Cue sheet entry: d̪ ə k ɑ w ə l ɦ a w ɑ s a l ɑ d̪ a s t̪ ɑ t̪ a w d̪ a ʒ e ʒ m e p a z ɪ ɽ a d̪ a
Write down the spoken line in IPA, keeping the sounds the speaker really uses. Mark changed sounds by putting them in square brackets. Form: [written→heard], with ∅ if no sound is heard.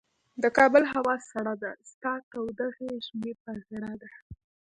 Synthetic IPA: d̪ ə k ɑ [w→b] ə l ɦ a w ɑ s a [l→ɽ] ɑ d̪ a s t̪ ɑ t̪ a w d̪ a [ʒ→ɣ] e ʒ m e p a [z→ɣ] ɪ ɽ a d̪ a